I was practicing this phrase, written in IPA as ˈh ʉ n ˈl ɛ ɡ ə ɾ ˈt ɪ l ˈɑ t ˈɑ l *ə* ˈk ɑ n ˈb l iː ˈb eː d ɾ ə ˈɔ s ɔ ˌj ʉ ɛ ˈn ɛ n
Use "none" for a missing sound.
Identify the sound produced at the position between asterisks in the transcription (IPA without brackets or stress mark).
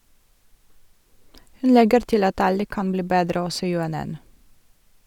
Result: ə